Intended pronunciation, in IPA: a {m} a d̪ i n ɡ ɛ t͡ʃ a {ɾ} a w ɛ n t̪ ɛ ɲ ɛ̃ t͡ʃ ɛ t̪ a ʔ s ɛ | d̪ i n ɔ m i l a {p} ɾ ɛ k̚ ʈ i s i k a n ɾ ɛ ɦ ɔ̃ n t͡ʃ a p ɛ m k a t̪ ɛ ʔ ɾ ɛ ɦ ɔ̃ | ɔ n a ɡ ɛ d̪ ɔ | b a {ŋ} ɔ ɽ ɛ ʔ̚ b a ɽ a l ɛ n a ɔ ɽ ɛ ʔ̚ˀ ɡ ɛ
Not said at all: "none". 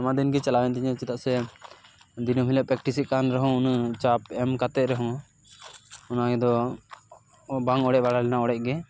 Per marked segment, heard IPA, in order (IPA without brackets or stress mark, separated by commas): m, l, p, ŋ